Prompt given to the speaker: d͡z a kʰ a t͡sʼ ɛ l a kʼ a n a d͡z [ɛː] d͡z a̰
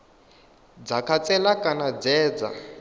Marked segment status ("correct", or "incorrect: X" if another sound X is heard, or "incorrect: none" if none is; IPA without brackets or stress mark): correct